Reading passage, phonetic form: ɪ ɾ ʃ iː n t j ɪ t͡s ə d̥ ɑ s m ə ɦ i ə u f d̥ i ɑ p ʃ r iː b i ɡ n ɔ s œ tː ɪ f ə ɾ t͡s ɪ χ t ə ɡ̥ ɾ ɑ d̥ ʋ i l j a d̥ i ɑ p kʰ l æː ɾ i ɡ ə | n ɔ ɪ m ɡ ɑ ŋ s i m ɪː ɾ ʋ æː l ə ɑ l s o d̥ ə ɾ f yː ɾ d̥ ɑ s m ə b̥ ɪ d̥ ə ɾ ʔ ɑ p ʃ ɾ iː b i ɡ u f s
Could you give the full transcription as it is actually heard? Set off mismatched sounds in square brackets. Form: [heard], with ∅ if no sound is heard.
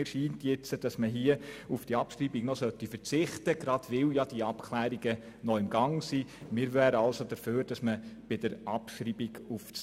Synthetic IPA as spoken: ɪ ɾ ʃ iː n t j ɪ t͡s ə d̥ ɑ s m ə ɦ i ə u f d̥ i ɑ p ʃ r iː b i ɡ n ɔ s œ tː [i] f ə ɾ t͡s ɪ χ t ə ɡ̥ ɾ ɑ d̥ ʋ [ɪ] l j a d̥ i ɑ p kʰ l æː ɾ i ɡ ə | n ɔ ɪ m ɡ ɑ ŋ s i m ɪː ɾ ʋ æː [ɾ] ə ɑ l s o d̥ ə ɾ f [øː] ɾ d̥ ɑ s m ə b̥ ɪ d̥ ə ɾ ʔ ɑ p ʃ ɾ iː b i ɡ u f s